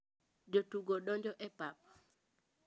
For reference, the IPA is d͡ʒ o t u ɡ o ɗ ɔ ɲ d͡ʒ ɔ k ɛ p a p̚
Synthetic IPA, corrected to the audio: d͡ʒ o t u ɡ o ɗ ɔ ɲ d͡ʒ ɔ ʔ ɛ p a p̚